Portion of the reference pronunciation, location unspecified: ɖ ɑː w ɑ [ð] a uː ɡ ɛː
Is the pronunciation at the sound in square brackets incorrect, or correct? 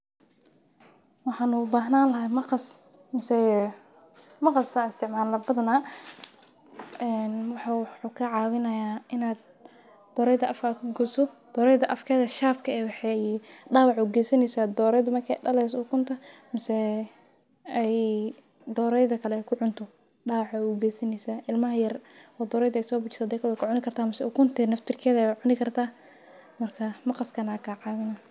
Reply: incorrect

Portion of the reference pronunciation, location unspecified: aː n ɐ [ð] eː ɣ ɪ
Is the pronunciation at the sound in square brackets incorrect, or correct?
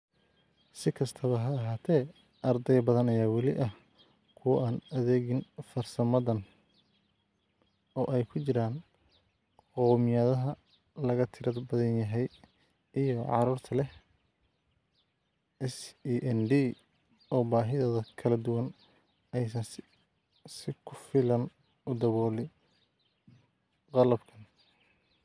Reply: correct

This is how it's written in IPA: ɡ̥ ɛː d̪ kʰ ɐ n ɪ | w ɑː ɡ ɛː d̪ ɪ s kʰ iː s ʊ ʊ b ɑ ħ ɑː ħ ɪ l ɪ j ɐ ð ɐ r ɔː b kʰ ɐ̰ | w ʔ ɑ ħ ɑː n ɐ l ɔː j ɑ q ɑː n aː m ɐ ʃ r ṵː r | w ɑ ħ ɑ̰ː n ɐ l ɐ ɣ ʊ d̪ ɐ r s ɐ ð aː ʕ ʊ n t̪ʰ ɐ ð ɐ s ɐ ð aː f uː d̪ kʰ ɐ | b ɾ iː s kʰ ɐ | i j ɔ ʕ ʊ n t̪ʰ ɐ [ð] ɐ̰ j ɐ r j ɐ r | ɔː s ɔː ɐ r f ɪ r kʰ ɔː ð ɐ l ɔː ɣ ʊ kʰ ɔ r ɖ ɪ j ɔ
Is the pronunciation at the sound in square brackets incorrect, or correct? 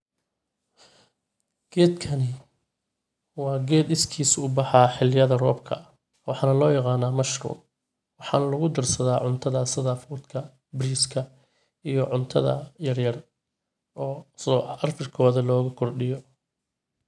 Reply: correct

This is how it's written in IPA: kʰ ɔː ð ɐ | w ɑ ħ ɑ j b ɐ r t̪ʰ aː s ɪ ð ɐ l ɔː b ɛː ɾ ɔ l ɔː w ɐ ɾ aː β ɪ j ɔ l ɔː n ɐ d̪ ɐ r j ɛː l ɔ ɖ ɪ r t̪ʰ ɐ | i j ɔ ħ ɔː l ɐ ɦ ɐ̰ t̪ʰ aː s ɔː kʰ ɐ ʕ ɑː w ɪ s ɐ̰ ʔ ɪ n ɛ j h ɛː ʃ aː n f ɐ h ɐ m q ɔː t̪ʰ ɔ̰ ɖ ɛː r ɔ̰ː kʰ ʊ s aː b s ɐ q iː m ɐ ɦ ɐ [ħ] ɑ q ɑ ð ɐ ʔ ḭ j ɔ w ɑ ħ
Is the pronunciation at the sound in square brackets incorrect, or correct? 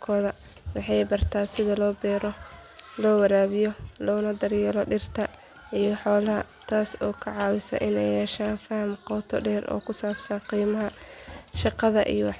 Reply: incorrect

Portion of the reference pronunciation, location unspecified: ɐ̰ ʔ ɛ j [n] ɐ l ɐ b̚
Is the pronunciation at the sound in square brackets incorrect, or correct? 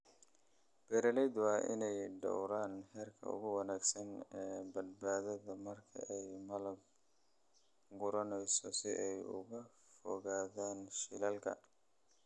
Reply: incorrect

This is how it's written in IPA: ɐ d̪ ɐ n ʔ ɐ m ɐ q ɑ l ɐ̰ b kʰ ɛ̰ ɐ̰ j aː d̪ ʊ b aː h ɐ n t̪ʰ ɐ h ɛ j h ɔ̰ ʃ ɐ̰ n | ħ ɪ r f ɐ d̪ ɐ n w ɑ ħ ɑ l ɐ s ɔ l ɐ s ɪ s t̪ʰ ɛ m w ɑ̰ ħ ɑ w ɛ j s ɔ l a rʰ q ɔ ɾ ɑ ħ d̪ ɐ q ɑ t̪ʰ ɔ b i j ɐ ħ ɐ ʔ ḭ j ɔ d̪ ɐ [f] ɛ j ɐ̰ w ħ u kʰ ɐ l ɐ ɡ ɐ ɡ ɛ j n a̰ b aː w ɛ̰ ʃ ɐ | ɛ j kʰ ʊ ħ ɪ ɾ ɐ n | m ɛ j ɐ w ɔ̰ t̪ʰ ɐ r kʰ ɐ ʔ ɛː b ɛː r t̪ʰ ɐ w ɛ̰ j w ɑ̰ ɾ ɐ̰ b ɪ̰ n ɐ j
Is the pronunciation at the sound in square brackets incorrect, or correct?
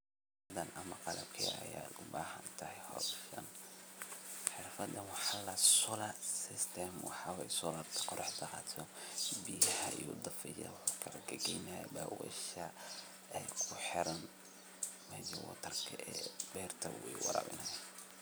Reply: correct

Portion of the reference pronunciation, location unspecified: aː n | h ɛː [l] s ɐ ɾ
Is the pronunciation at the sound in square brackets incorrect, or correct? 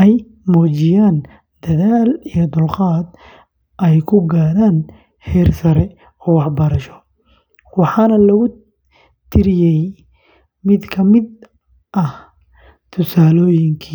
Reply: incorrect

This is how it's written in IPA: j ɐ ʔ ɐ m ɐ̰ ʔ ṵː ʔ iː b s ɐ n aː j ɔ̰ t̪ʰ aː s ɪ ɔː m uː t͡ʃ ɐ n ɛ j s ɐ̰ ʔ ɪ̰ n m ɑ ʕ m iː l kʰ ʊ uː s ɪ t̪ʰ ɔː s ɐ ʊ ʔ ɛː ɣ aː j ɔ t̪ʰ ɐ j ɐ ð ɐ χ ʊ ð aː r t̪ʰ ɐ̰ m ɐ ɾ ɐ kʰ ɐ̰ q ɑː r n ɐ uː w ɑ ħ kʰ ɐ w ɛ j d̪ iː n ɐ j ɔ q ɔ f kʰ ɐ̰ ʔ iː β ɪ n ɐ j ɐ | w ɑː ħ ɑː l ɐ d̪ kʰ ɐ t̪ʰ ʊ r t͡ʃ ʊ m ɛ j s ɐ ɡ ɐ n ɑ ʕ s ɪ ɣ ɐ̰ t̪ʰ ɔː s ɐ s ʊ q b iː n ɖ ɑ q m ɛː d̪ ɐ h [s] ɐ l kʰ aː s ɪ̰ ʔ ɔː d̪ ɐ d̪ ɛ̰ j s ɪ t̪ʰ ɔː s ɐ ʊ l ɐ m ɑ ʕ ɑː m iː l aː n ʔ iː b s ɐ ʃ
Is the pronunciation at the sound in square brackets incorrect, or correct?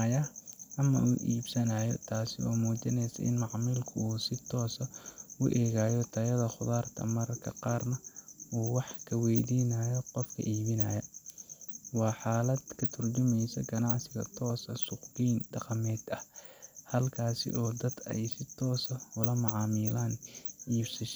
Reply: incorrect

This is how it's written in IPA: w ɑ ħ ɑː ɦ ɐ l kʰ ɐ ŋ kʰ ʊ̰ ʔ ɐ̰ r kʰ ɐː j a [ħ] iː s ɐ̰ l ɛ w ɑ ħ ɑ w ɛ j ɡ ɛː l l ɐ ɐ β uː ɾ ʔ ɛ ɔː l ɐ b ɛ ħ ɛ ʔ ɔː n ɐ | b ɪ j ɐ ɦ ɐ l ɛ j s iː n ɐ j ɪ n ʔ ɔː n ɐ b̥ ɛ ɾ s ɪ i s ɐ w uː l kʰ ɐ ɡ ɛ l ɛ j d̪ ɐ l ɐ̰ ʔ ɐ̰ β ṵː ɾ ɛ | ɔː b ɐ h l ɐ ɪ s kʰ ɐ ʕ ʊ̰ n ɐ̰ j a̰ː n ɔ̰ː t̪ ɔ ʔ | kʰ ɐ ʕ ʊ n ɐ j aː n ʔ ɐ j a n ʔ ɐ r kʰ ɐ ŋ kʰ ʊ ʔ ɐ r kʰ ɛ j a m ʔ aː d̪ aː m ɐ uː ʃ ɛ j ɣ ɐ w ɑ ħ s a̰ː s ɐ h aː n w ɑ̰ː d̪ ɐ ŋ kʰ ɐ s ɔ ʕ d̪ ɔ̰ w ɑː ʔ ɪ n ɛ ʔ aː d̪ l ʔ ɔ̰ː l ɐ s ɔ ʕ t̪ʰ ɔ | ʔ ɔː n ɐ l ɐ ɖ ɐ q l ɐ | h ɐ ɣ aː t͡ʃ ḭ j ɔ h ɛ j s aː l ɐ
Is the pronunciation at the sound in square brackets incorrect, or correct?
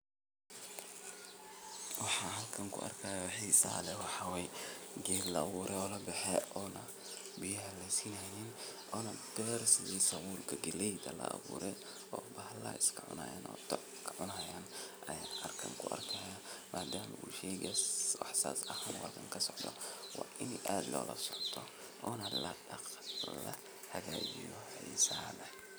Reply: correct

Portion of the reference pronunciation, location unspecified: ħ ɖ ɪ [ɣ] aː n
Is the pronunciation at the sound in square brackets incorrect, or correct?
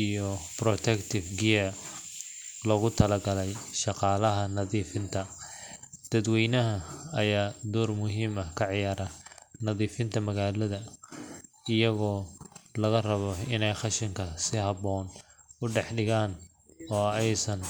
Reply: correct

